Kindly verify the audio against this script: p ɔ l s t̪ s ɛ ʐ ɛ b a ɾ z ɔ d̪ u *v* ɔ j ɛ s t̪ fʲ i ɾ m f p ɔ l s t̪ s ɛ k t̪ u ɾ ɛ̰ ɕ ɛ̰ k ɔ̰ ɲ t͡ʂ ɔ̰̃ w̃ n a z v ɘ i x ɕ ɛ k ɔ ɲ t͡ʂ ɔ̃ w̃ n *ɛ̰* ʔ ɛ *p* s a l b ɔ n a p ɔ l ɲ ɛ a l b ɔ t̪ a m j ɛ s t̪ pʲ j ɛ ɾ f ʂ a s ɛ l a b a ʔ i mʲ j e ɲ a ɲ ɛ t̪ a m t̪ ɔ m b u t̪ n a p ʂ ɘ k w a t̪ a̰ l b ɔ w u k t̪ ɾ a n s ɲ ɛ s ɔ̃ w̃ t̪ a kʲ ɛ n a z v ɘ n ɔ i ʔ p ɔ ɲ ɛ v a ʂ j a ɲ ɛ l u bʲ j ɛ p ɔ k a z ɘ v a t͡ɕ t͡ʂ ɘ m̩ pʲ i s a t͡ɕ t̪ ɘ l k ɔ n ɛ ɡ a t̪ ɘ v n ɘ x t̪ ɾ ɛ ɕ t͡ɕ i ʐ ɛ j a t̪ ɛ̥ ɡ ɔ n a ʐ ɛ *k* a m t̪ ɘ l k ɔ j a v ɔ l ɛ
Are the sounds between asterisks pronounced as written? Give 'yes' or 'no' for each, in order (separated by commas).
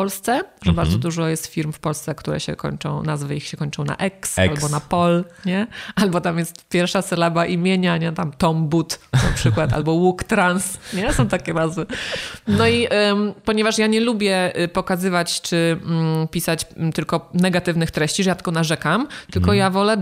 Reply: no, no, no, yes